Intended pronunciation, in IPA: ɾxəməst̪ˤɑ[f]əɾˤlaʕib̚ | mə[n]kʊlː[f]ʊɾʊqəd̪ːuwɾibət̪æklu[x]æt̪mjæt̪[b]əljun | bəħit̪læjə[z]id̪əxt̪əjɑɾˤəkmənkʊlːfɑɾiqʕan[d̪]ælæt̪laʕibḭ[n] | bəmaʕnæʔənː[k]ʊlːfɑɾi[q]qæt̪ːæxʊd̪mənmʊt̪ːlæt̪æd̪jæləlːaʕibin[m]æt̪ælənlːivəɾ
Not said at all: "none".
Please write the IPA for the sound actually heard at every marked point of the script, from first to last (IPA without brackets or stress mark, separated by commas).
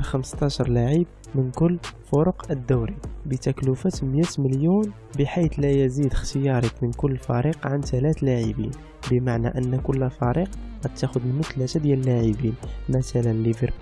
ʃ, n, f, f, m, z, t̪, n, k, q, m